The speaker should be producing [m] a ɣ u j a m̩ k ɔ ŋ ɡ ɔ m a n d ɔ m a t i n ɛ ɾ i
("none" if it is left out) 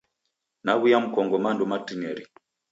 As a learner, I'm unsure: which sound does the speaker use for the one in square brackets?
n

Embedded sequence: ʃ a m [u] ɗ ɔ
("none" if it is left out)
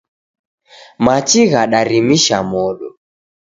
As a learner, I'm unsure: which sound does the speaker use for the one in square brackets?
ɔ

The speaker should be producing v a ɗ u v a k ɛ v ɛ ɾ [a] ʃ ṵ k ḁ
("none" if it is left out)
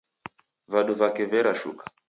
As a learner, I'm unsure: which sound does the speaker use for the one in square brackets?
a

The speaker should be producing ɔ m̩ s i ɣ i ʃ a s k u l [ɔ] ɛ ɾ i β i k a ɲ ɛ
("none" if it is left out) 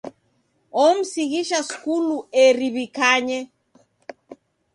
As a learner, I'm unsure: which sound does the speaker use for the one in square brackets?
u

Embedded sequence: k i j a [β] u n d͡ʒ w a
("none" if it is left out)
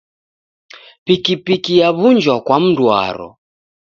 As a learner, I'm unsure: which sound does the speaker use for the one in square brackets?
β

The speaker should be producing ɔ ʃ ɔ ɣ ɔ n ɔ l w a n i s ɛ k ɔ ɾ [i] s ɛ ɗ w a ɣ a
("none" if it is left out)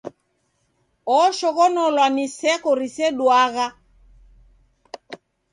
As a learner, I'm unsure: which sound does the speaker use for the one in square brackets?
i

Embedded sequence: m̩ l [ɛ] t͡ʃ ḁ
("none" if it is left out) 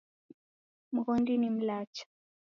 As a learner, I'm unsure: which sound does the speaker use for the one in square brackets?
a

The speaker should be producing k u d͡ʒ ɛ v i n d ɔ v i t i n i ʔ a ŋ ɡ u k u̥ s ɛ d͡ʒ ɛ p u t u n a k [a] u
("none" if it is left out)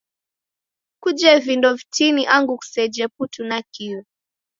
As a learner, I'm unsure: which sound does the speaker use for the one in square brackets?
i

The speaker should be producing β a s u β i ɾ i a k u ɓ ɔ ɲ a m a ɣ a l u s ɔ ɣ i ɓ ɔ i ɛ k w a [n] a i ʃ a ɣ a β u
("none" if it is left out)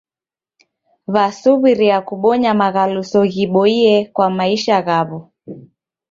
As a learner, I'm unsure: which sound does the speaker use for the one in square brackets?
m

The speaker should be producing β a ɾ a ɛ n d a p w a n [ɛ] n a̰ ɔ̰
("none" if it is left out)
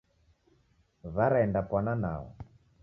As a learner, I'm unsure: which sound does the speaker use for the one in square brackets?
a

